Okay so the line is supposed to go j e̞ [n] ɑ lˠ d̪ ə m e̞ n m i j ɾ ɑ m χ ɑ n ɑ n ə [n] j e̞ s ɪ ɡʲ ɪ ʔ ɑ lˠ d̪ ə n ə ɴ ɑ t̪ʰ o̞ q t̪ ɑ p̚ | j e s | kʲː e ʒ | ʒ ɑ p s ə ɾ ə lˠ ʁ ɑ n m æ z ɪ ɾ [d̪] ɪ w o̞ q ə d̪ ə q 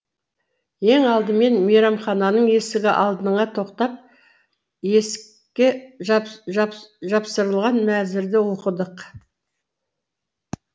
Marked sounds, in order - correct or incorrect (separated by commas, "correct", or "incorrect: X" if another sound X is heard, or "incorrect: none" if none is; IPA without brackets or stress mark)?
incorrect: ŋ, incorrect: ɴ, correct